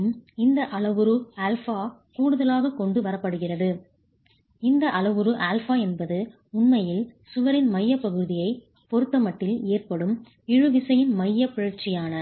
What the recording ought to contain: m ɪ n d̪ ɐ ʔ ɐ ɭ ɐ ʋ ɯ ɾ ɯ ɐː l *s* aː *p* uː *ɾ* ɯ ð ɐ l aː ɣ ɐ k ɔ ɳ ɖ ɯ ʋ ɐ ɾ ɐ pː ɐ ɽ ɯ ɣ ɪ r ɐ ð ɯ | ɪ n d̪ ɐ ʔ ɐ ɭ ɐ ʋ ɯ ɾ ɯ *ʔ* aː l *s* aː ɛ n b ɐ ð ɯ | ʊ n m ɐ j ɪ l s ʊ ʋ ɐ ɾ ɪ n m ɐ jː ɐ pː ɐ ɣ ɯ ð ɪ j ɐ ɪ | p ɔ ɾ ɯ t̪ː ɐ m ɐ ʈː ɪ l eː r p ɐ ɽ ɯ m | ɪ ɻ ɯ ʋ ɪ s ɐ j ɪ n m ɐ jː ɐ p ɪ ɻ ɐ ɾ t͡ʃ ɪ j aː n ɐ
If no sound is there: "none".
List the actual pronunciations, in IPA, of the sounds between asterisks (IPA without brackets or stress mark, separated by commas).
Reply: f, k, ɽ, ʔ, f